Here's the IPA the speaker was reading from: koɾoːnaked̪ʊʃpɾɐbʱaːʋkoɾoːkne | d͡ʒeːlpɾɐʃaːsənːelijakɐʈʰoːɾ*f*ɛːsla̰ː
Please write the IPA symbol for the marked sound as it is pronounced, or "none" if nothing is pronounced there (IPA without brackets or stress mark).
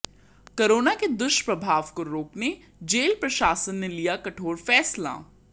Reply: f